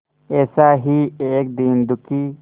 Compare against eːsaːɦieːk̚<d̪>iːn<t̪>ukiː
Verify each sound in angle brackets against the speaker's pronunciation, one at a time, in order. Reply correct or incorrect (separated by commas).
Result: correct, incorrect